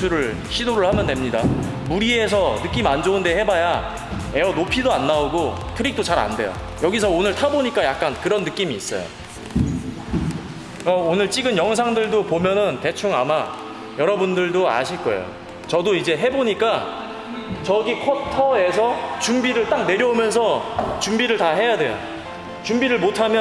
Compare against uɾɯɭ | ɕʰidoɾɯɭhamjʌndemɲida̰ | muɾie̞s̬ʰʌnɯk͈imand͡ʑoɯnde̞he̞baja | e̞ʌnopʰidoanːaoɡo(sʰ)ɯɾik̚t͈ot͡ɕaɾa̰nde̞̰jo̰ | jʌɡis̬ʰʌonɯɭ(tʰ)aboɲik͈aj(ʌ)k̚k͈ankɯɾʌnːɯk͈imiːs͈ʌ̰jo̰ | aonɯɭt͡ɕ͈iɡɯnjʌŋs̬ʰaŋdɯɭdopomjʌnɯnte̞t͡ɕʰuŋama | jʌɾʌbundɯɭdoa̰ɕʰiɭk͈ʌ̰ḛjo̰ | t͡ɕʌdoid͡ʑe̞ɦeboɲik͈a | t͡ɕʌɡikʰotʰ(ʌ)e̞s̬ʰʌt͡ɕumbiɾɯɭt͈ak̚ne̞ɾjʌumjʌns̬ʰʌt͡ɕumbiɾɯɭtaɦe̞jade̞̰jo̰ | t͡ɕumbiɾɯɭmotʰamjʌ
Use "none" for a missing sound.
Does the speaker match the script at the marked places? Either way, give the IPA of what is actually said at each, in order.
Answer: tʰ, tʰ, a, ʌ

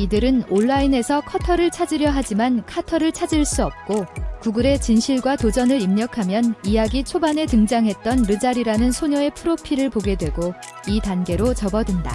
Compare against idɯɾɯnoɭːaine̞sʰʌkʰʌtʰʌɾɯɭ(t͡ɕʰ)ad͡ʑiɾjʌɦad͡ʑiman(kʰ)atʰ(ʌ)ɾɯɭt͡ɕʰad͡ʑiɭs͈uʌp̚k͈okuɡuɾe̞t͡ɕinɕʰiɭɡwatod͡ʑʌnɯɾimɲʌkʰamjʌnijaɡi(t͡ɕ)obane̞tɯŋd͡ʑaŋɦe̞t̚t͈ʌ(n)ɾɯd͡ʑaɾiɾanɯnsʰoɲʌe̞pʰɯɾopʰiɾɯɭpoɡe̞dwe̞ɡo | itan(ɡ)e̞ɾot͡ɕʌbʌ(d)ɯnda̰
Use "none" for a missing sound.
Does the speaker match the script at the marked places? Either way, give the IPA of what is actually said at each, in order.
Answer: t͡ɕʰ, kʰ, ʌ, t͡ɕʰ, n, ɡ, d

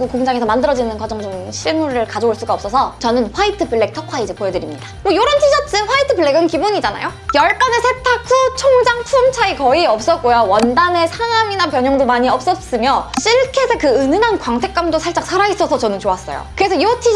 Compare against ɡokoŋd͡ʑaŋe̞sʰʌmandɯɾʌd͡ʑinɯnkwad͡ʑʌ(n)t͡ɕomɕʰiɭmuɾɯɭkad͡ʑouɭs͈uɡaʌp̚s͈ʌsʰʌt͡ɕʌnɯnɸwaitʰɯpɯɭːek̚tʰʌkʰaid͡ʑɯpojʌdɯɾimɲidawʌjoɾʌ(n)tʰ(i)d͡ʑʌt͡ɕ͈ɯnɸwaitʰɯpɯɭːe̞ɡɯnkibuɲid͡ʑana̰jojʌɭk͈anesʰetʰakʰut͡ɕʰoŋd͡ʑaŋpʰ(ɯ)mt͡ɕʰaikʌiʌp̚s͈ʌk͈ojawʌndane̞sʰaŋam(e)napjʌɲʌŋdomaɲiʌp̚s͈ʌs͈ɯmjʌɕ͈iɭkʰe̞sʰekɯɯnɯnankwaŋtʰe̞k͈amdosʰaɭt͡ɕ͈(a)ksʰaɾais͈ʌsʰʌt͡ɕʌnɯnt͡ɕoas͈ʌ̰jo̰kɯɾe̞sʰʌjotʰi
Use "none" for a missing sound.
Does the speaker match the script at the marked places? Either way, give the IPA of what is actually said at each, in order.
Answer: ŋ, n, i, u, i, a

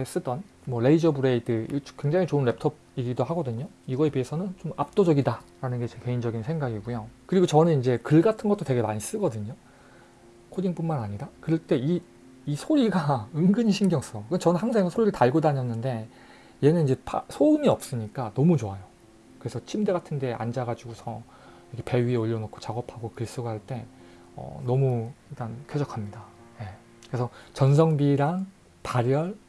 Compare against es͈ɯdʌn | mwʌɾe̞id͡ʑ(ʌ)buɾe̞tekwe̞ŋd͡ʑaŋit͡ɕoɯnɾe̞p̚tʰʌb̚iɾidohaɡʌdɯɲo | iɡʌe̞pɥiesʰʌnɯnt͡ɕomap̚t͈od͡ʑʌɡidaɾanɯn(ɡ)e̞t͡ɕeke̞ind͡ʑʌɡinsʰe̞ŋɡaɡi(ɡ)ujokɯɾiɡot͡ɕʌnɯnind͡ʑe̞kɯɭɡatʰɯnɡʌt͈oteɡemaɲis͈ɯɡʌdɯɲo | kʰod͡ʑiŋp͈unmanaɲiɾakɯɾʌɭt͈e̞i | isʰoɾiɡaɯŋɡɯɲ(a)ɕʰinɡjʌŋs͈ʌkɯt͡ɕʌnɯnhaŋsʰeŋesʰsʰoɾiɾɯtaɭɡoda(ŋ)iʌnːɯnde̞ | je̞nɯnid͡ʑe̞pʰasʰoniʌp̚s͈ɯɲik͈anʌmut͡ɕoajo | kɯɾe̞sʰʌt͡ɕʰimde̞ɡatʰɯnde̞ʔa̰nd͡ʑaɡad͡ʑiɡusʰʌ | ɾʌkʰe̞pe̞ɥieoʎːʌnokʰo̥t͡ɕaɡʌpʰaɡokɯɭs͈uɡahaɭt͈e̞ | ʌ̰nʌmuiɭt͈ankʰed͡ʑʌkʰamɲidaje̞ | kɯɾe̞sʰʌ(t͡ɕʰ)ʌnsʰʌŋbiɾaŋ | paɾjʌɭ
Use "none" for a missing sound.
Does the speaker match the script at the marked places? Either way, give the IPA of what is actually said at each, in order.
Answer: ʌ, ɡ, ɡ, i, ɲ, t͡ɕ

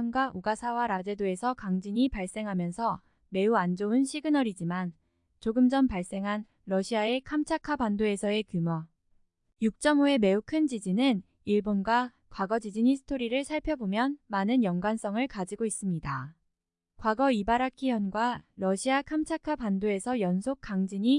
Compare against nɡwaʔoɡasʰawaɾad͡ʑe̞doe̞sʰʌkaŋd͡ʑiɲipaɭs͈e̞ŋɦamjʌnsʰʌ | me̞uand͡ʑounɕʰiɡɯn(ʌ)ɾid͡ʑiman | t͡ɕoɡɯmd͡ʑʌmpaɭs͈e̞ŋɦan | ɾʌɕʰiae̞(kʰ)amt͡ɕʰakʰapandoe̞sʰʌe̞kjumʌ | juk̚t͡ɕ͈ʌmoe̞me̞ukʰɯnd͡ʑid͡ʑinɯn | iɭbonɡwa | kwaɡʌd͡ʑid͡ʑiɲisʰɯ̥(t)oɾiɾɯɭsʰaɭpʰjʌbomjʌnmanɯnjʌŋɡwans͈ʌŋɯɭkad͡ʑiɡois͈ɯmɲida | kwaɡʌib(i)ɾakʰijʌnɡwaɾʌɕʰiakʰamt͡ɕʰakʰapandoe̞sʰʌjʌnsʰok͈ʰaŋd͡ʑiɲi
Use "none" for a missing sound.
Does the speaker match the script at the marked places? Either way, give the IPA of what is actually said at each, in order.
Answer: ʌ, kʰ, tʰ, a

